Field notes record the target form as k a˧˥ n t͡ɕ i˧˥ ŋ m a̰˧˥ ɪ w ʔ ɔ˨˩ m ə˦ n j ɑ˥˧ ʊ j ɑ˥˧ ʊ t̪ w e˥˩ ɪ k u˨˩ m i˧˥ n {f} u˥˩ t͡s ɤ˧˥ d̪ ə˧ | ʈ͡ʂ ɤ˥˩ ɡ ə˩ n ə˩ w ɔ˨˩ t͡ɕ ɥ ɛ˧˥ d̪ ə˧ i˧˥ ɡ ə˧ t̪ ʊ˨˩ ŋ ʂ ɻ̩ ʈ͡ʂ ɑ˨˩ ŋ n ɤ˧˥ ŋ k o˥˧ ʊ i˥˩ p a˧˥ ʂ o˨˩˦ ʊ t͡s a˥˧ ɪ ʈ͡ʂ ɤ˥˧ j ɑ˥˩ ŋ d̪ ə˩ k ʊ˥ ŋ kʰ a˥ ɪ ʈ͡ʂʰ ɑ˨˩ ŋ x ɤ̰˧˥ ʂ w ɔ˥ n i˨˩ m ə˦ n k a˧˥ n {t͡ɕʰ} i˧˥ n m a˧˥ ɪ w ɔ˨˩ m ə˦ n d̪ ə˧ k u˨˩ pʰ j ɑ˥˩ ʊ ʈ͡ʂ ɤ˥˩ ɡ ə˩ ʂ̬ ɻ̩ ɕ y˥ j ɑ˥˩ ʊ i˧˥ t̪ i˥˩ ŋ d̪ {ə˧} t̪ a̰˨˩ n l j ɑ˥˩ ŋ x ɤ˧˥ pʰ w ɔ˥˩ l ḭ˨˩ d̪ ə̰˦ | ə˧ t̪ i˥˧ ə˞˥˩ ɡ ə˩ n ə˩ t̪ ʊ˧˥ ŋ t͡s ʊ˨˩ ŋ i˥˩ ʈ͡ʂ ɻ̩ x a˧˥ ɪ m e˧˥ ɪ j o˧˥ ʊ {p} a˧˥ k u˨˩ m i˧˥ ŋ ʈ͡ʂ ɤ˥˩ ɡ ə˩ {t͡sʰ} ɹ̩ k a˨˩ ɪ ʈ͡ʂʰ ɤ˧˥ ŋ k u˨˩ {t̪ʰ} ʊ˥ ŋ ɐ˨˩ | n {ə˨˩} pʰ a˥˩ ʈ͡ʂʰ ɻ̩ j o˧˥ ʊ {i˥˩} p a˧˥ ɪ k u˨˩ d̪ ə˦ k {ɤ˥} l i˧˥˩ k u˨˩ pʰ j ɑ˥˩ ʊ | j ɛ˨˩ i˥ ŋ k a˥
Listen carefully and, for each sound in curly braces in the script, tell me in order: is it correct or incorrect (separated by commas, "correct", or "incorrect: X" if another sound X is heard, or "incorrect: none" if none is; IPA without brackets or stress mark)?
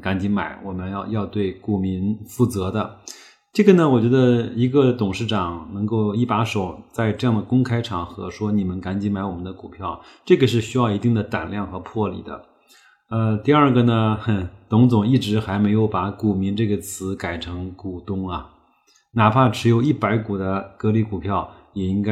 correct, incorrect: t͡ɕ, incorrect: ə˩, correct, correct, incorrect: t̪, incorrect: a˨˩, correct, incorrect: ɤ˧˥